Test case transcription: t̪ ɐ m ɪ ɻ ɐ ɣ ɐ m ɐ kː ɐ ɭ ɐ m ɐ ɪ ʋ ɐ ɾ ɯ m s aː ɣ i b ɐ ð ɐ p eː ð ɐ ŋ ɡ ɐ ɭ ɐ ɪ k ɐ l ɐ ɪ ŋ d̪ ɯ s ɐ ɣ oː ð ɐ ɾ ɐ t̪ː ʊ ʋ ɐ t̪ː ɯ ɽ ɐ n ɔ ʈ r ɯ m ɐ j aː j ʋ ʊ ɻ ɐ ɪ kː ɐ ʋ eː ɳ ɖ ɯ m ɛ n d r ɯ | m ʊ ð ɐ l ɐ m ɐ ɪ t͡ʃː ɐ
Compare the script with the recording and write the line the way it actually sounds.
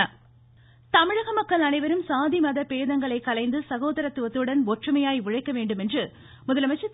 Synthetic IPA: t̪ ɐ m ɪ ɻ ɐ ɣ ɐ m ɐ kː ɐ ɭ ɐ n ɐ ɪ ʋ ɐ ɾ ɯ m s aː ð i m ɐ ð ɐ p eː ð ɐ ŋ ɡ ɐ ɭ ɐ ɪ k ɐ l ɐ ɪ n d̪ ɯ s ɐ ɣ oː ð ɐ ɾ ɐ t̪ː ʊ ʋ ɐ t̪ː ɯ ɽ ɐ n ɔ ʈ r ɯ m ɐ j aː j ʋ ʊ ɻ ɐ ɪ kː ɐ ʋ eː ɳ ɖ ɯ m ɛ n d r ɯ | m ʊ ð ɐ l ɐ m ɐ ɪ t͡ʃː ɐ